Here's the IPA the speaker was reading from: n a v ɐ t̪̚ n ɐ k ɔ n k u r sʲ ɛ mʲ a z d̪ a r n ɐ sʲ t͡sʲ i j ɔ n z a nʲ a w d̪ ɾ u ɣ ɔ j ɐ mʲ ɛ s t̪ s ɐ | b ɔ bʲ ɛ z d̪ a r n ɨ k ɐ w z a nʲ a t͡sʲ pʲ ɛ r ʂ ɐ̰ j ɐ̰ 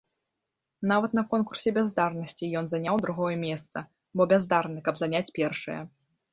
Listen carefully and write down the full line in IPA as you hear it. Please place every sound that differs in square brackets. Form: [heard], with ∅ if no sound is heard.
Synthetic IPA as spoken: n a v ɐ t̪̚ n ɐ k ɔ n k u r sʲ ɛ [bʲ] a z d̪ a r n ɐ sʲ t͡sʲ i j ɔ n z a nʲ a w d̪ ɾ u ɣ ɔ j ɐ mʲ ɛ s t̪ s ɐ | b ɔ bʲ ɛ z d̪ a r n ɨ k ɐ [b] z a nʲ a t͡sʲ pʲ ɛ r ʂ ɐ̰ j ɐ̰